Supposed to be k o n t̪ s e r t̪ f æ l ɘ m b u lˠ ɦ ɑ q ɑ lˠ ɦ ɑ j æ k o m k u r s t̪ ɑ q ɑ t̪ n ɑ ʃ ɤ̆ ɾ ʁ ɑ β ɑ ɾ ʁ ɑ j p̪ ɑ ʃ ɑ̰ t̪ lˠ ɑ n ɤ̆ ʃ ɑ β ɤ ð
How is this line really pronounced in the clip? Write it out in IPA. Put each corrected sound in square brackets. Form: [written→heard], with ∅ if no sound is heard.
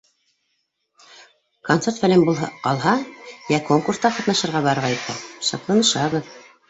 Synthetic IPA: k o n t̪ s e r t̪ f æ l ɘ m b u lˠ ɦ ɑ q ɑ lˠ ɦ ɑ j æ k o [m→ŋ] k u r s t̪ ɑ q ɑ t̪ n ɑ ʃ ɤ̆ ɾ ʁ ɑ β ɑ ɾ ʁ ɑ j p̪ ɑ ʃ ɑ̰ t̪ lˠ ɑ n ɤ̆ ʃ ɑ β ɤ ð